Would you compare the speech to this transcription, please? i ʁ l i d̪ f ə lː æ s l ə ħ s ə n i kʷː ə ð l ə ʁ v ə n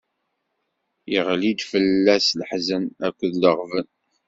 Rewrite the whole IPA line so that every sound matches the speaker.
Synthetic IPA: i ʁ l i d̪ f ə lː æ s l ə ħ z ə n æ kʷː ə ð l ə ʁ v ə n

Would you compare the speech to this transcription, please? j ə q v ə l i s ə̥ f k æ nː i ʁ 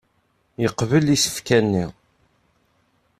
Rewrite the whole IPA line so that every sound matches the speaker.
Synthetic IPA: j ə q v ə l i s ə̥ f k æ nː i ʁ

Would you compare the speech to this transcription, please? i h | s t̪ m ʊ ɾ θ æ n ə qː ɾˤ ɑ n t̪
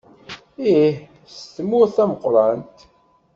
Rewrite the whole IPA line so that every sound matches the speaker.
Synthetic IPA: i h | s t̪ m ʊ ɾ θ æ m ə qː ɾˤ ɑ n t̪

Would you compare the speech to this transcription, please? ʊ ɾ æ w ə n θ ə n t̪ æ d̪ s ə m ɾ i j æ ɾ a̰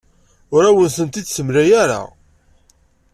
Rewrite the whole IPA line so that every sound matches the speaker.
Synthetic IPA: ʊ ɾ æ w ə n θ ə n t̪ i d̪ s ə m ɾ æ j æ ɾ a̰

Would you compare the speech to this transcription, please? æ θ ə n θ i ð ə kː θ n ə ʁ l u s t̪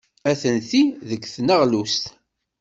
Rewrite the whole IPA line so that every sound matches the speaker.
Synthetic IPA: æ θ ə n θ i ð ə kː θ n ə ʁ l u s t̪

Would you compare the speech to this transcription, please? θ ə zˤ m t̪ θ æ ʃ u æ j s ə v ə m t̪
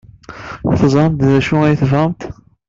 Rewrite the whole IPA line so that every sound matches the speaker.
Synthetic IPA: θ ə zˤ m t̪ ð æ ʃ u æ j θ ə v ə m t̪

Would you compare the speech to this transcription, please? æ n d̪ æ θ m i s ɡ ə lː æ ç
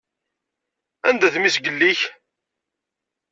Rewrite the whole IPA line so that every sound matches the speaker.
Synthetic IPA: æ n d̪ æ θ m i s ɡ ə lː i ç

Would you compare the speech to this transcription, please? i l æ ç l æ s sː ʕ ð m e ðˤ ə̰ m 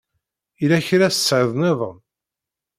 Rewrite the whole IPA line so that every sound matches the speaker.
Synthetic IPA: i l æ ç ɾ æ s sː ʕ ð n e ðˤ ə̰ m

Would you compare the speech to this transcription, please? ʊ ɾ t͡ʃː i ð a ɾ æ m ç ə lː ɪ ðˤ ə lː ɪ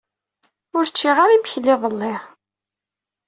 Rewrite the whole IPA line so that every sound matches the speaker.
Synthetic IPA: ʊ ɾ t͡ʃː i ʁ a ɾ i m ç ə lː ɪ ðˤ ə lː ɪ

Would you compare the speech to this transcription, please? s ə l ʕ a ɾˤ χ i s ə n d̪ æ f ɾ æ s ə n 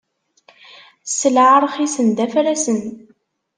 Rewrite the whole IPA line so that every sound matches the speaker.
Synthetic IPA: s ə l ʕ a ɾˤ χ i s ə n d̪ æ f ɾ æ s ə n

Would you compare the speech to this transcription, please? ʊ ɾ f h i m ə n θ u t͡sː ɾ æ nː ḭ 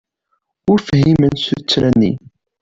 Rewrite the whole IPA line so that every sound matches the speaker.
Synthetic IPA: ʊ ɾ f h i m ə n s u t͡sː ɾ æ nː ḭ

